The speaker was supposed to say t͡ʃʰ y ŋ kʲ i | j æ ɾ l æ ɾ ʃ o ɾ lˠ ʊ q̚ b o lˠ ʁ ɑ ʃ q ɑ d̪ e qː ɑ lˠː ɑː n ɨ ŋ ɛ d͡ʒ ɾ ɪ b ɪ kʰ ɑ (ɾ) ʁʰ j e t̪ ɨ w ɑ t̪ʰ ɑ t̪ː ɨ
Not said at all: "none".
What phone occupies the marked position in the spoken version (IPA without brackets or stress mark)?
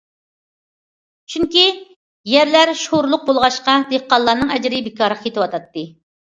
ɾ